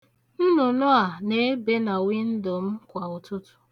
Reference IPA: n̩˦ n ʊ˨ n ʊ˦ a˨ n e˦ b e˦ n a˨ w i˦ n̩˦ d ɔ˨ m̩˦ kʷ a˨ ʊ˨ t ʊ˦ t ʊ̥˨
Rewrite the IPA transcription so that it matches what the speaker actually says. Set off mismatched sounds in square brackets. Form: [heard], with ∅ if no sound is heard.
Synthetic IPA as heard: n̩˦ n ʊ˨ n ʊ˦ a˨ n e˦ b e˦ n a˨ w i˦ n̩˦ d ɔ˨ m̩˦ kʷ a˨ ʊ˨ t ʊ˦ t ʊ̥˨